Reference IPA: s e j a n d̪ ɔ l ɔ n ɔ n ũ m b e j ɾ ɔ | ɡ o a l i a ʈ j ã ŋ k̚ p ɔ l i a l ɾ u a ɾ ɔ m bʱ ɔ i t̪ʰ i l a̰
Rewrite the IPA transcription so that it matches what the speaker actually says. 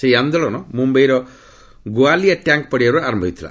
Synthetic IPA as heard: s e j a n d̪ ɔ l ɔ n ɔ m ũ m b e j ɾ ɔ | ɡ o a l i a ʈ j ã ŋ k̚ p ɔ ɽ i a ɾ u a ɾ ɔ m bʱ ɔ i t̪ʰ i l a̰